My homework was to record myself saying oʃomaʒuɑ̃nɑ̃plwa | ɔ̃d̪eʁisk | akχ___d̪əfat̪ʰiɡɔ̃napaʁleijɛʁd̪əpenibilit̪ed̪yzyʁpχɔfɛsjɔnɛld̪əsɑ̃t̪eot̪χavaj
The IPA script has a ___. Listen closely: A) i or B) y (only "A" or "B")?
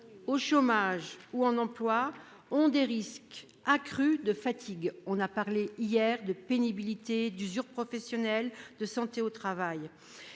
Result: B